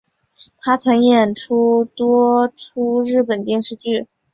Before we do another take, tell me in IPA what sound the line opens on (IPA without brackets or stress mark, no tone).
t̪ʰ